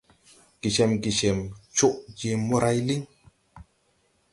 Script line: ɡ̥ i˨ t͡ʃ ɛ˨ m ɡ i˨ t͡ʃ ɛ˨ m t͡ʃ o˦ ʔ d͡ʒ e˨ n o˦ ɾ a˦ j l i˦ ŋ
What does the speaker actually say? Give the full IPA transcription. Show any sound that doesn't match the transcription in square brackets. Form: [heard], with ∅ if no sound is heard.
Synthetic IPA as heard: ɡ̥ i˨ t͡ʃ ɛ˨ m ɡ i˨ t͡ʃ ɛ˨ m t͡ʃ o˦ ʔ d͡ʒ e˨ [m] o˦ ɾ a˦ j l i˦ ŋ